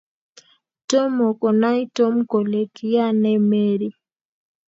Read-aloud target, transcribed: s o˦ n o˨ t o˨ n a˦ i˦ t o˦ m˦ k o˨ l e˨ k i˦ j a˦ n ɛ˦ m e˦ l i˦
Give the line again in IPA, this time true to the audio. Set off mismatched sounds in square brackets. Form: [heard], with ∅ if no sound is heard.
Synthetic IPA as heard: [t] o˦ [m] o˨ [k] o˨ n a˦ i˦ t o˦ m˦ k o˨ l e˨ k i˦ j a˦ n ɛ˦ m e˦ [ɾ] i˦